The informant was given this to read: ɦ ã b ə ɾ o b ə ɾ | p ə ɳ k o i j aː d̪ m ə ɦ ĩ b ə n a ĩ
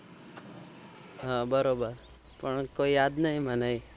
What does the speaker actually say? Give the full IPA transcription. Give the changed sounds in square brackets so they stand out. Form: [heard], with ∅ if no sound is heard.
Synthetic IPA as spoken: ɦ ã b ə ɾ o b ə ɾ | p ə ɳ k o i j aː d̪ [n] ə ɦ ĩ [m] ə n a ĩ